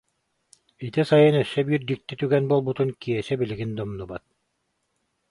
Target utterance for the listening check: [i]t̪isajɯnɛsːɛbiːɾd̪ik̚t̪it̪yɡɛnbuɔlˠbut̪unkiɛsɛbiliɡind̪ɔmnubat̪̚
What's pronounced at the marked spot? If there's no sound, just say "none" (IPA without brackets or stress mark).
i